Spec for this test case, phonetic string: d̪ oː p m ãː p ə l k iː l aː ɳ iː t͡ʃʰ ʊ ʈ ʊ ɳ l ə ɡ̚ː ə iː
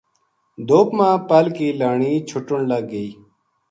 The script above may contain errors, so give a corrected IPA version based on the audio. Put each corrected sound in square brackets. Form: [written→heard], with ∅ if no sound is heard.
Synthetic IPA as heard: d̪ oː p m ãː p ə l k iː l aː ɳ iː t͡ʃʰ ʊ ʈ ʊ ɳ l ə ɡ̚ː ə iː